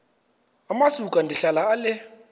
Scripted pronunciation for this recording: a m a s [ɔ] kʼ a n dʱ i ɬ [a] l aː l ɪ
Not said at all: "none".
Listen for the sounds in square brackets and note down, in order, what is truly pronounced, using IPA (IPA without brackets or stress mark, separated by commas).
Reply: u, a